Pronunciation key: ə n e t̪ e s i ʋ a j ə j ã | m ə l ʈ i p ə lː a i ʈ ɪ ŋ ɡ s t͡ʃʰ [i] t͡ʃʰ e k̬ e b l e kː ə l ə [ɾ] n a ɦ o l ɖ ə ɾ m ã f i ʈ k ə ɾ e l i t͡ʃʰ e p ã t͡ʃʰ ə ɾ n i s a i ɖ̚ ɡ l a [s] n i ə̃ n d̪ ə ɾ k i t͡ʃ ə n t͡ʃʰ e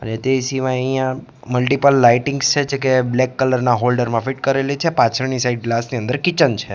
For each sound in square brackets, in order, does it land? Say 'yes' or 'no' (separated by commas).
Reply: no, yes, yes